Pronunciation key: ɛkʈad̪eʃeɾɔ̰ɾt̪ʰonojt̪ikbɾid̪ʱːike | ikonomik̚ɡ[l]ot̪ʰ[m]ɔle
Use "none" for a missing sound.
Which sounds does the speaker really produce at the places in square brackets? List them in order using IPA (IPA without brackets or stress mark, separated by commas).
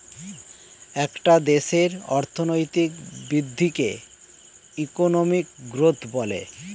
ɾ, b